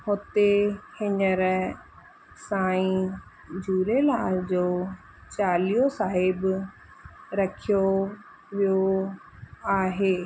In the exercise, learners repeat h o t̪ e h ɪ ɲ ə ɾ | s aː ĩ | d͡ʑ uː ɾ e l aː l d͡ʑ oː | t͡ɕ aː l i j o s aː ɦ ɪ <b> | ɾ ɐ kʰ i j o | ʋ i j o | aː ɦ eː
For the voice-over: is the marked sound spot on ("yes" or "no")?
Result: yes